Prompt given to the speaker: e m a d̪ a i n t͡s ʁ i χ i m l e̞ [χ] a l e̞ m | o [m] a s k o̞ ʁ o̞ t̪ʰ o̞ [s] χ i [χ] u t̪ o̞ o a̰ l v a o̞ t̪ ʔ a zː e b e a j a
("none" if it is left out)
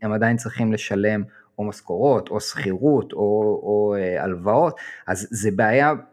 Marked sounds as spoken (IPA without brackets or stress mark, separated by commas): ʃ, m, s, ʁ